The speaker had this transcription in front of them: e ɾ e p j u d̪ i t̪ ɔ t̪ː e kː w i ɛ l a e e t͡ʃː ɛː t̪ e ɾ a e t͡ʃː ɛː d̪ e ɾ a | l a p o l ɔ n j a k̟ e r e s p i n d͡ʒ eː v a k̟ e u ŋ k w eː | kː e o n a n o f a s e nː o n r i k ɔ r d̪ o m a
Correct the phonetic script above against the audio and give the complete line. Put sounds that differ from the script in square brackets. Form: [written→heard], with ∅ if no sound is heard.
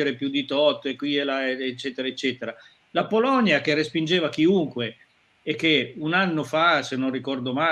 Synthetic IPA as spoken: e ɾ e p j u d̪ i t̪ ɔ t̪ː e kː w i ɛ l a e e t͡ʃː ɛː t̪ e ɾ a e t͡ʃː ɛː [d̪→t̪] e ɾ a | l a p o l ɔ n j a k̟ e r e s p i n d͡ʒ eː v a k̟ [e→i] u ŋ k w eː | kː e [o→u] n a [n→nː] o f a s e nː o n r i k ɔ r d̪ o m a